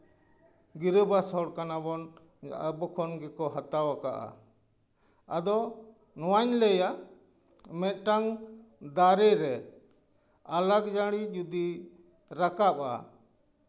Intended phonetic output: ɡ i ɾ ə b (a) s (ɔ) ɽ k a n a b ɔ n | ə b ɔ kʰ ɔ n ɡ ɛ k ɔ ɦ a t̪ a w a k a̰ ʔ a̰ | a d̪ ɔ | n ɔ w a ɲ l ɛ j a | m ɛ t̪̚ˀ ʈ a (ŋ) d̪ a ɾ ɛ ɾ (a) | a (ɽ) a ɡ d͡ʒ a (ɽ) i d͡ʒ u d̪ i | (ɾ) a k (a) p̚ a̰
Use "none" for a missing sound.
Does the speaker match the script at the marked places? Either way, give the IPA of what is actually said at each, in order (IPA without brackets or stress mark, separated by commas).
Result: a, ɔ, ŋ, ɛ, l, ɽ, ɾ, a